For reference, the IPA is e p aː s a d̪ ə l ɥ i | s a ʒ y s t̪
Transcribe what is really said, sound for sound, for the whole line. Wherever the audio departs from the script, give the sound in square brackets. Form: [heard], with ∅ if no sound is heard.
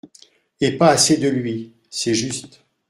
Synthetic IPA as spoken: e p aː s [e] d̪ ə l ɥ i | s [ɛ] ʒ y s t̪